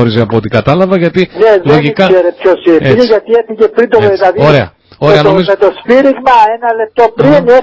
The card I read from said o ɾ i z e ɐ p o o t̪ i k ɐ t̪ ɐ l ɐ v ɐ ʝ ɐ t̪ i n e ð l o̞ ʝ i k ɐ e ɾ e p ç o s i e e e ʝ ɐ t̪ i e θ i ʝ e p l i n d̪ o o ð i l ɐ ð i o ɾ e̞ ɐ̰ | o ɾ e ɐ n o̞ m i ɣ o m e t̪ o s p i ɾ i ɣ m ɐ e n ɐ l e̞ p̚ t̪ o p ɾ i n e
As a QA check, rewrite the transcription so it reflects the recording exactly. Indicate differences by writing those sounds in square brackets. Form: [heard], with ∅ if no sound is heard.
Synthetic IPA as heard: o ɾ i z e ɐ p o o t̪ i k ɐ t̪ ɐ l ɐ v ɐ ʝ ɐ t̪ i n e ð l o̞ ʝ i k ɐ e ɾ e p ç o s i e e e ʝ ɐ t̪ i e θ i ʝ e p [ɾ] i n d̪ o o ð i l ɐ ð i o ɾ e̞ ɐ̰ | o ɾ e ɐ n o̞ m i [z] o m e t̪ o s p i ɾ i ɣ m ɐ e n ɐ l e̞ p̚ t̪ o p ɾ i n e